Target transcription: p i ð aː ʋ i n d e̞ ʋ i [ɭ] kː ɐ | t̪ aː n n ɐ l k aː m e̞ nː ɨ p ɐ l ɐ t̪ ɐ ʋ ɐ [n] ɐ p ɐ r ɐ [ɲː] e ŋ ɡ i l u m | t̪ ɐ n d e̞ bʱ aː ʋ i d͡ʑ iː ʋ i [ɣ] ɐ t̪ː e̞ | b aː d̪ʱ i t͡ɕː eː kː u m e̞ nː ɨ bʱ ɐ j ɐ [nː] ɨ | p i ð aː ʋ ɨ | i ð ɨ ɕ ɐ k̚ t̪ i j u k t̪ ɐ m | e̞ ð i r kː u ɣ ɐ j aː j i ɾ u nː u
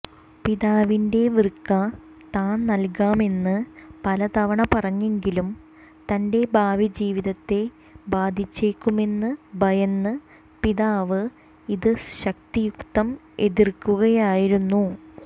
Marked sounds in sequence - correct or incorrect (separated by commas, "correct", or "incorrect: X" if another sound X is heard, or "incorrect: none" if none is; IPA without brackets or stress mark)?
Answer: incorrect: r, incorrect: ɳ, correct, incorrect: ð, correct